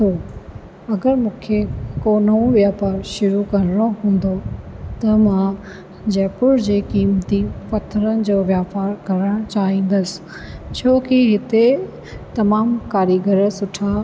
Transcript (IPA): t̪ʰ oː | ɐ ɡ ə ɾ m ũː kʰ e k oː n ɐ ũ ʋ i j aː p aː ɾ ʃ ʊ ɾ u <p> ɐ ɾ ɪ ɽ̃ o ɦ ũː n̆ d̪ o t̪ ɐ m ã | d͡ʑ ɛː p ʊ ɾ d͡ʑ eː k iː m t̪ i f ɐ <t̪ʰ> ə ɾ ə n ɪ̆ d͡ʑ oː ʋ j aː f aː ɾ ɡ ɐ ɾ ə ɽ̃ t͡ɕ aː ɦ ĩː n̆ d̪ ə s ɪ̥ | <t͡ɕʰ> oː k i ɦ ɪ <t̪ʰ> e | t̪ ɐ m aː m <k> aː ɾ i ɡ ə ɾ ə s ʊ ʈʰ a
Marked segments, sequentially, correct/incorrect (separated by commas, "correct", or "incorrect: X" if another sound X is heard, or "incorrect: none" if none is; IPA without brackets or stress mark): incorrect: k, correct, correct, incorrect: t̪, correct